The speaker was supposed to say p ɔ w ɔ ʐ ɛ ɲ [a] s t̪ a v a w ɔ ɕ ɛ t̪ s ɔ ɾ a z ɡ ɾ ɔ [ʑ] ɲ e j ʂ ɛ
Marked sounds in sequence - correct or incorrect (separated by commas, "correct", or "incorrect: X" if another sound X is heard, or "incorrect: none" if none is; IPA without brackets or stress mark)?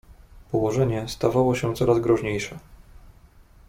incorrect: ɛ, incorrect: ʐ